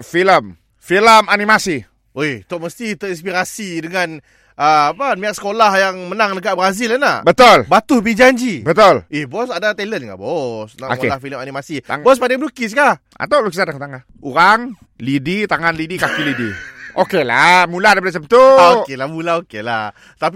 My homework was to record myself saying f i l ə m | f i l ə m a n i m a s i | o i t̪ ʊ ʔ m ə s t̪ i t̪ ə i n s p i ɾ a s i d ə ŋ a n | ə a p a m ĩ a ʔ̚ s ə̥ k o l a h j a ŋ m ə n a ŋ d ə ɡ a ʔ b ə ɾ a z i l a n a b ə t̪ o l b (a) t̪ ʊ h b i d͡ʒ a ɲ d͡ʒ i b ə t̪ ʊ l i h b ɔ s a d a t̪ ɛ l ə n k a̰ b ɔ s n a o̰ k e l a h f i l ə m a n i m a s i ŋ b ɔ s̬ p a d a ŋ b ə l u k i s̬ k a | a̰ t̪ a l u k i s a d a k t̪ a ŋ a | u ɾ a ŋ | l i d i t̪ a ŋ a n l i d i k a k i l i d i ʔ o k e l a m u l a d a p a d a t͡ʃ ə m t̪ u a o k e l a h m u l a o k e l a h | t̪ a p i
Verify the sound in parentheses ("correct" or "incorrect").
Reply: correct